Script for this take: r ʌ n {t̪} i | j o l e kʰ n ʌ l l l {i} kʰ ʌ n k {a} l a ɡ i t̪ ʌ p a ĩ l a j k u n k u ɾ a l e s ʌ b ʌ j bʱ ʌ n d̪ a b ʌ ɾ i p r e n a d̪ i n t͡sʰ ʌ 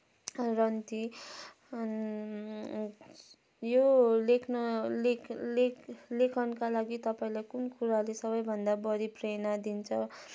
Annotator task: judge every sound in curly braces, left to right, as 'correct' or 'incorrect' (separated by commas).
correct, incorrect, correct